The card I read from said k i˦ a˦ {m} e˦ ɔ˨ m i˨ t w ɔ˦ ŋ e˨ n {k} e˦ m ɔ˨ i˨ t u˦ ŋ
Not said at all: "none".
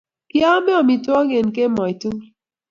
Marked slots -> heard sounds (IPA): m, k

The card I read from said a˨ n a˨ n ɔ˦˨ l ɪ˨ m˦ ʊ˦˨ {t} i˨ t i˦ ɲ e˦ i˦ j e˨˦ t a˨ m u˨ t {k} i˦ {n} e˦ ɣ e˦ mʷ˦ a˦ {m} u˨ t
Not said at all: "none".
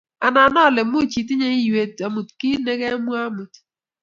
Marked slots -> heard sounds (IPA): t͡ʃ, k, n, m

